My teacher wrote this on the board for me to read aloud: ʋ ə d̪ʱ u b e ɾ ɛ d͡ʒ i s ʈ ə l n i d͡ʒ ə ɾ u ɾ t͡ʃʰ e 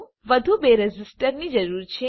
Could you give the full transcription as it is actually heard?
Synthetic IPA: ʋ ə d̪ʱ u b e ɾ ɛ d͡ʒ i s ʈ ə ɾ n i d͡ʒ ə ɾ u ɾ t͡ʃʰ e